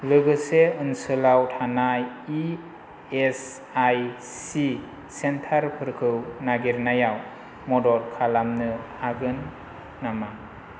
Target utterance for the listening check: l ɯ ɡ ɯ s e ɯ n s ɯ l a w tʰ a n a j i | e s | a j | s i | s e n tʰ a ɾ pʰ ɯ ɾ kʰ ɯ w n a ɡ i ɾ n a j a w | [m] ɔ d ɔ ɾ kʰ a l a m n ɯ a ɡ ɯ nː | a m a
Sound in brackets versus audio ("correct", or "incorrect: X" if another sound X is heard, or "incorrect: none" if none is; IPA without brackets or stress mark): correct